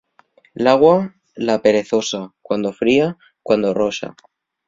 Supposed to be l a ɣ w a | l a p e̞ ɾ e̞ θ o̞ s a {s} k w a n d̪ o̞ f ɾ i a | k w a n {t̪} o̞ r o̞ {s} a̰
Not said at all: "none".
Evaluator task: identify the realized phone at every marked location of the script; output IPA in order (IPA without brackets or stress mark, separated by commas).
none, d̪, ʃ